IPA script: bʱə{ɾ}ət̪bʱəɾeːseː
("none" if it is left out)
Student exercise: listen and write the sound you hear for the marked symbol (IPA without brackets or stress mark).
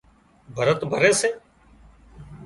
ɾ